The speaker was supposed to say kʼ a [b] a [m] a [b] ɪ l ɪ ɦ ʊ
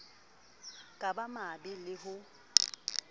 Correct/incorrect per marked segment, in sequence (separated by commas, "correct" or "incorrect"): correct, correct, correct